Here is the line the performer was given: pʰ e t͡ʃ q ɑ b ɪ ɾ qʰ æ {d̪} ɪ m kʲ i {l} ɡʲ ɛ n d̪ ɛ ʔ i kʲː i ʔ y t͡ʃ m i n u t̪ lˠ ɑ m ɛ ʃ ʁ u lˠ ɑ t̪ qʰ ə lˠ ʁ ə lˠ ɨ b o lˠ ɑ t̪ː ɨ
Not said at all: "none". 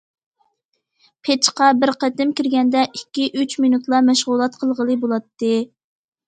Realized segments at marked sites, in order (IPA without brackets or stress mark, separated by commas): t̪, ɾ